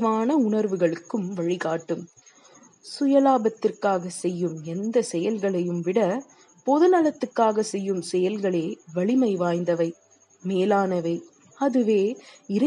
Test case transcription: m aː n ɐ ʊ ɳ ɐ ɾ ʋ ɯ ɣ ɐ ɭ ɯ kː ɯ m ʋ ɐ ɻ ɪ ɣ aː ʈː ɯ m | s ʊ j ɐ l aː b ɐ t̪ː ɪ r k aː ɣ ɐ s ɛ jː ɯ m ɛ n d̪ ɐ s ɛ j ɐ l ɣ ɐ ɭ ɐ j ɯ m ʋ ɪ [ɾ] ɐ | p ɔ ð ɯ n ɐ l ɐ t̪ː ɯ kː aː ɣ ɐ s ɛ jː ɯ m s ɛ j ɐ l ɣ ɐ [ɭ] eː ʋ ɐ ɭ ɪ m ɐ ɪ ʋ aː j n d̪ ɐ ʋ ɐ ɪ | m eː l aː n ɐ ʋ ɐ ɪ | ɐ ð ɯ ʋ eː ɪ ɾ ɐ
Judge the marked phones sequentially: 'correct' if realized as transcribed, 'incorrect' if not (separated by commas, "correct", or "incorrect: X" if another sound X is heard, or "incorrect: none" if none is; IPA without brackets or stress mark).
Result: incorrect: ɽ, correct